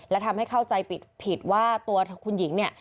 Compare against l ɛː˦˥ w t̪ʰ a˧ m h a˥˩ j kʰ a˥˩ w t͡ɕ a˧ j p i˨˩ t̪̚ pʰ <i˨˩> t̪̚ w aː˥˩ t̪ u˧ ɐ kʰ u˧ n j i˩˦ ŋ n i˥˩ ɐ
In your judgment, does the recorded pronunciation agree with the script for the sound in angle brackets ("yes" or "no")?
yes